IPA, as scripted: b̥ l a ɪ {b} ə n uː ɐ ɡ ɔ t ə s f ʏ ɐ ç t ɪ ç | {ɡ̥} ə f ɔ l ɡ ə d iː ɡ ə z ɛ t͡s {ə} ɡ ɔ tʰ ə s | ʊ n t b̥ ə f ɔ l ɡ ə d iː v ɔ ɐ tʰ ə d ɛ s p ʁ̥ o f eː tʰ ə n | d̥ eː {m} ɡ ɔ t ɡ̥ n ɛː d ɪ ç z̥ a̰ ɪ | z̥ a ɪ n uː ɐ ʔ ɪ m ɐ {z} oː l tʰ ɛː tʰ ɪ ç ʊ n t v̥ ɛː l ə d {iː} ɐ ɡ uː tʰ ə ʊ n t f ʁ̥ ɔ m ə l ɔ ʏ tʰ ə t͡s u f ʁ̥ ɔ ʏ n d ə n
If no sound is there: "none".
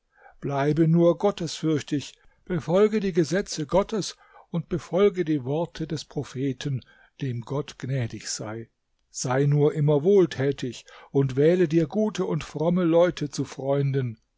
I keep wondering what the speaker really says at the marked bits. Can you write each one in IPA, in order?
b, b̥, ə, m, v, iː

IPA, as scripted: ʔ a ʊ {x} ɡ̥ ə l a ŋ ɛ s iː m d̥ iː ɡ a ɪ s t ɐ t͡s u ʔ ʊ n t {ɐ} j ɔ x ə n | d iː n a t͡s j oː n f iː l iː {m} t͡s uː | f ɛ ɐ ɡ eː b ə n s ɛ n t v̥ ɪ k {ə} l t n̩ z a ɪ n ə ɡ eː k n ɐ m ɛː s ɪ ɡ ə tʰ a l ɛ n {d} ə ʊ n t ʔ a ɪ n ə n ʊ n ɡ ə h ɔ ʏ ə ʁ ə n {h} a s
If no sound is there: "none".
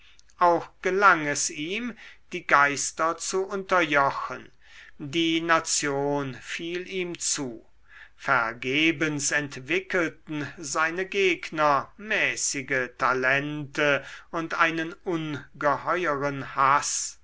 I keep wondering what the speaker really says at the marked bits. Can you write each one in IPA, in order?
x, ɐ, m, ə, t, h

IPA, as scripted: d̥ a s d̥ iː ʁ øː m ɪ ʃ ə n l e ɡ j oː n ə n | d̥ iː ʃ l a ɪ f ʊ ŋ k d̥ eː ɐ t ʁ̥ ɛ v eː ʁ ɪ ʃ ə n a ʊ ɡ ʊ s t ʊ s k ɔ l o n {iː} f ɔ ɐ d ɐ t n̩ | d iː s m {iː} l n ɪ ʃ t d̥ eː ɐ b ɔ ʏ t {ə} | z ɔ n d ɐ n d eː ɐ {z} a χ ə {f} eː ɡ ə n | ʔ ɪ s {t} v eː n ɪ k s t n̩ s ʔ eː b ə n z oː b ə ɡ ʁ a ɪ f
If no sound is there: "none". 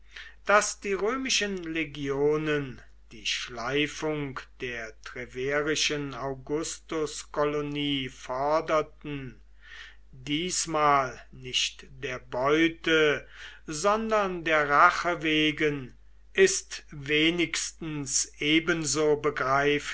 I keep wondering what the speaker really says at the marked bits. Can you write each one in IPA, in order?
iː, aː, ə, ʁ, v, t

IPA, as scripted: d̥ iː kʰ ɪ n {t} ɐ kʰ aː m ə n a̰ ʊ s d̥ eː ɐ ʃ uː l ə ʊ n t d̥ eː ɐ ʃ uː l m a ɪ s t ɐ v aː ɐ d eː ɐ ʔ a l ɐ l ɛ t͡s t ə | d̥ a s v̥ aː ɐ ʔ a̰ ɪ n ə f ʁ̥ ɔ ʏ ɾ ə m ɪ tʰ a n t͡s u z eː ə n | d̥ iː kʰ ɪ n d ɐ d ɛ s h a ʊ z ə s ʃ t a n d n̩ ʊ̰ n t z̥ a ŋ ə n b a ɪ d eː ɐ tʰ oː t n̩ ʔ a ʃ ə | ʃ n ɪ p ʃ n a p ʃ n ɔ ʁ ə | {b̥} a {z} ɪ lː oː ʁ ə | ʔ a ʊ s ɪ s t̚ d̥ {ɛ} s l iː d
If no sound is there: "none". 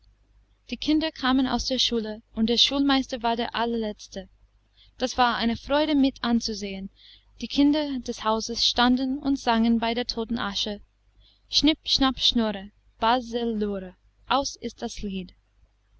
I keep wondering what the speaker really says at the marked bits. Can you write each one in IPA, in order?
d, b̥, z, a

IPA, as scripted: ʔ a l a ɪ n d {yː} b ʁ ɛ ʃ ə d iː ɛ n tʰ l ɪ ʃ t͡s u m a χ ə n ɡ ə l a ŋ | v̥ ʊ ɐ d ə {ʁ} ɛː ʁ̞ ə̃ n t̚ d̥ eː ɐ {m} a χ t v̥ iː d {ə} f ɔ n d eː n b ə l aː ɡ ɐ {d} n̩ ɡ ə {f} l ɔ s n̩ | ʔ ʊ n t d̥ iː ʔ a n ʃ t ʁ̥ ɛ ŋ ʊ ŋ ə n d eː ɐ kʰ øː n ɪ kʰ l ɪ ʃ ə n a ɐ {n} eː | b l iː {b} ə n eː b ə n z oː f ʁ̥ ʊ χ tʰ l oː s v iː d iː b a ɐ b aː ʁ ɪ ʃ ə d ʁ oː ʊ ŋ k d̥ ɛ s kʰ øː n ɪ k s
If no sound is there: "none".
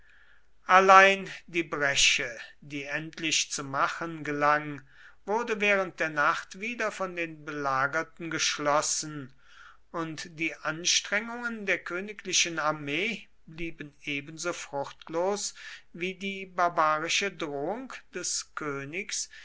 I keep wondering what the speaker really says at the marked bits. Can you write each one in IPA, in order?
iː, v, n, ɐ, t, ʃ, m, b

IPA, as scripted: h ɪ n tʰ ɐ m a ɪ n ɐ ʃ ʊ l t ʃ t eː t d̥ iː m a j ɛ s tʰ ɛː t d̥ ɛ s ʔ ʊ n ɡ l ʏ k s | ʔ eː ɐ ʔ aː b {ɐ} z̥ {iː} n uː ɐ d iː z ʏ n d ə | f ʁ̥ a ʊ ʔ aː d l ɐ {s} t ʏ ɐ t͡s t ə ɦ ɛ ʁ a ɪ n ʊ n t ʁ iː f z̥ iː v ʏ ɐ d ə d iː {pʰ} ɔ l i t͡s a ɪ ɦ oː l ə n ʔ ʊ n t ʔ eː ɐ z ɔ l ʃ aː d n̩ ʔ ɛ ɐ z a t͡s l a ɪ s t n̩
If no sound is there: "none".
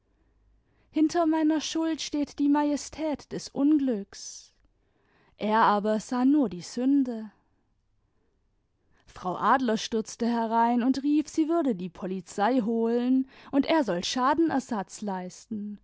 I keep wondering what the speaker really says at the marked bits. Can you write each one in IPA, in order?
ɐ, aː, ʃ, pʰ

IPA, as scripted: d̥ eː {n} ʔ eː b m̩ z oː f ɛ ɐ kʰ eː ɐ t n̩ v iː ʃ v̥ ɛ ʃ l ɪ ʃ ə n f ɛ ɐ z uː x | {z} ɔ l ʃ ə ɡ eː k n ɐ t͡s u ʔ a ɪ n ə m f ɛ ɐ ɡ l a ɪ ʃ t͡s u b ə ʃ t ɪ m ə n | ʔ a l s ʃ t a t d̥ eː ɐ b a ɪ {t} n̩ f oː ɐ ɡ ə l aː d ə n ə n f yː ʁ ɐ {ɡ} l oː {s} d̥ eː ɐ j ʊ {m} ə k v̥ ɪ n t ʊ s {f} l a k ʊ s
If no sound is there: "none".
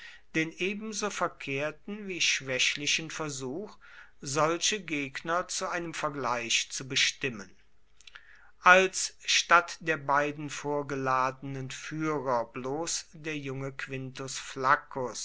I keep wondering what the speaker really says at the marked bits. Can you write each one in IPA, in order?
n, z, d, b, s, ŋ, f

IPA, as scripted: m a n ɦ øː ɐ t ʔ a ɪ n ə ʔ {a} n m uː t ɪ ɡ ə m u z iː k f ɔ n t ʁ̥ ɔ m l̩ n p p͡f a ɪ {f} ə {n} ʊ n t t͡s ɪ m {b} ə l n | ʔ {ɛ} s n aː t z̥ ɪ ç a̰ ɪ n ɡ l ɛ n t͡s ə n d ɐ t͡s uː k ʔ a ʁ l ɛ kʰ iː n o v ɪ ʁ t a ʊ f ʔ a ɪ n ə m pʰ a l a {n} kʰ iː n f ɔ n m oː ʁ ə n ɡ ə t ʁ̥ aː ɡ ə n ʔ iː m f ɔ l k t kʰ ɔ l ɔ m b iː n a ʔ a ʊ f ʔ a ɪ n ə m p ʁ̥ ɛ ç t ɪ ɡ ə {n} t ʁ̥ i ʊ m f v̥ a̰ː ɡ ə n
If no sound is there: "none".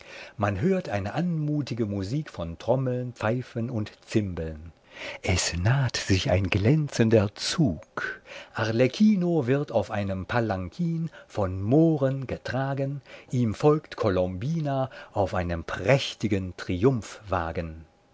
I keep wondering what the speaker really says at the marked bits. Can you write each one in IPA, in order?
a, f, n, b, ɛ, ŋ, n

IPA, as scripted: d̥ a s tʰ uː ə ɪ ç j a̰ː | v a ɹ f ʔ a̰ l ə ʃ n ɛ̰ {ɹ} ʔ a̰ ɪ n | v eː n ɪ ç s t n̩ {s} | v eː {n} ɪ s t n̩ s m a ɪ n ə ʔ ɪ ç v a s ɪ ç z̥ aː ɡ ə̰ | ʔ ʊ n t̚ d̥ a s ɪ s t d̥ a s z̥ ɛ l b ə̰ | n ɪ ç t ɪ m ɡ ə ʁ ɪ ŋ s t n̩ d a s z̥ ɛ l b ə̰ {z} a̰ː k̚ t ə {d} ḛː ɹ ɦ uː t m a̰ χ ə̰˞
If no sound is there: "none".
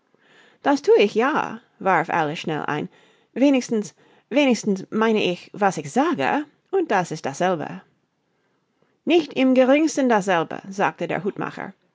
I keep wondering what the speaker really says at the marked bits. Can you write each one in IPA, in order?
l, s, n, z, d

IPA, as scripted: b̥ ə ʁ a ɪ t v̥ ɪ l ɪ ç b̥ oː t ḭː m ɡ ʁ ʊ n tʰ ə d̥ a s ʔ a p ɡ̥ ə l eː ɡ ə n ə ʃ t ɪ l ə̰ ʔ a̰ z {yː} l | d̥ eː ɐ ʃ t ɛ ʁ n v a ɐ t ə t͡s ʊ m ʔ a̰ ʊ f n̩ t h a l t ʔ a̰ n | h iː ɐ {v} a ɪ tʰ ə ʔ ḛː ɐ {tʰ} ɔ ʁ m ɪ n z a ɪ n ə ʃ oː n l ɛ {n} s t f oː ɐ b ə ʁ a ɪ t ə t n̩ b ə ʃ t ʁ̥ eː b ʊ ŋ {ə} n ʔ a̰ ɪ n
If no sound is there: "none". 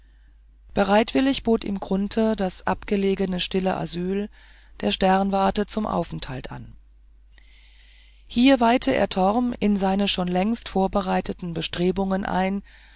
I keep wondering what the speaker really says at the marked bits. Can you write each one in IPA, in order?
yː, v, tʰ, ŋ, ə

